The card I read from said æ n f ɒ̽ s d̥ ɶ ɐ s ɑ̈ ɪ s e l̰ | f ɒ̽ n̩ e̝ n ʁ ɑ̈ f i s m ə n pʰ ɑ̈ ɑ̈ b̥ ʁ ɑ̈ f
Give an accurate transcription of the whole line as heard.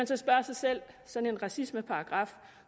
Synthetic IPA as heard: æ n s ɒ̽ s b̥ ɶ ɐ s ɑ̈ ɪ s e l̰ | s ɒ̽ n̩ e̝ n ʁ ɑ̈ s i s m ə pʰ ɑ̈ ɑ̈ ɡ̥ ʁ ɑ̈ f

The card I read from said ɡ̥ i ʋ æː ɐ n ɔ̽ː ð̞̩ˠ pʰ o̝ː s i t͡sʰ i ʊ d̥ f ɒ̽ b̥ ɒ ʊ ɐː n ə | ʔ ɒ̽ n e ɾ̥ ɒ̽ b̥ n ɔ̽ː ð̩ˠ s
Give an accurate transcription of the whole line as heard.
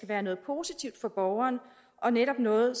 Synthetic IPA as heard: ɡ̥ æ ʋ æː ɐ n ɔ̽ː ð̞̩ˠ pʰ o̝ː s i t͡sʰ i ʊ d̥ f ɒ̽ b̥ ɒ ʊ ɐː n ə | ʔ ɒ̽ n e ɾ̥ ɒ̽ b̥ n ɔ̽ː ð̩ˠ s

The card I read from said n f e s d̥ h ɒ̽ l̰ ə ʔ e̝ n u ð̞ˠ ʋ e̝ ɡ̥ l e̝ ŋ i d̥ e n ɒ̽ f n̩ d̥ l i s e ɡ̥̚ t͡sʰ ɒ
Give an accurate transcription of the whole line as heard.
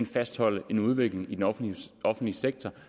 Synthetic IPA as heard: n f æ s d̥ h ɒ̽ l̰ ə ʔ e̝ n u ð̞ˠ ʋ e̝ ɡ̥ l e̝ ŋ i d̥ e n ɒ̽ f n̩ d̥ l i s e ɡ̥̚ t͡sʰ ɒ

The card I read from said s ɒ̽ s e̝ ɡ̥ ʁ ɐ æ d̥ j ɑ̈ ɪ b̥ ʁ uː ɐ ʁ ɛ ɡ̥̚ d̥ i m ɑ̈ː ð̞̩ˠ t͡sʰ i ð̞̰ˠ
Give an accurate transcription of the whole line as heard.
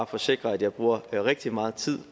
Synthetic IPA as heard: f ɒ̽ s e̝ ɡ̥ ʁ ɐ æ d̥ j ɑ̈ ɪ b̥ ʁ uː ɐ ʁ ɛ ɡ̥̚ d̥ i m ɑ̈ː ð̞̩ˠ t͡sʰ i ð̞̰ˠ

